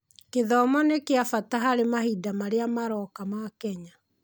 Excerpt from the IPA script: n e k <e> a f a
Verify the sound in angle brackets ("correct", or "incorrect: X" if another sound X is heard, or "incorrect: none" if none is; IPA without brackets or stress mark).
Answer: correct